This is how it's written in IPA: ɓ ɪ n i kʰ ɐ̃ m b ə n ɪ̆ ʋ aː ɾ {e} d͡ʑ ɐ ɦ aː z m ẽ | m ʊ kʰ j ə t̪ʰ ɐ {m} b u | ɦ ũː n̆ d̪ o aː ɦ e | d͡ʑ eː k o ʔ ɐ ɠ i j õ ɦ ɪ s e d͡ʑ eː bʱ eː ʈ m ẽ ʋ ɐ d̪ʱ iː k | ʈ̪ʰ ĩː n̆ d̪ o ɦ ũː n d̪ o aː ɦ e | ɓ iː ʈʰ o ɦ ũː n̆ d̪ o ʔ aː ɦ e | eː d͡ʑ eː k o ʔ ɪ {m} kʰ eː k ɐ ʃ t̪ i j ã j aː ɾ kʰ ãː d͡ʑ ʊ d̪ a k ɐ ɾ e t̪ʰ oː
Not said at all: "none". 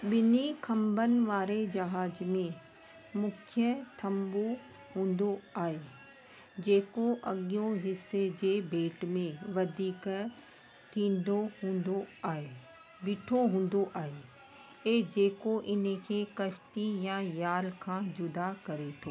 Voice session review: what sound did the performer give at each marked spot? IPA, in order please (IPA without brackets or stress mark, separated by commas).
e, m, n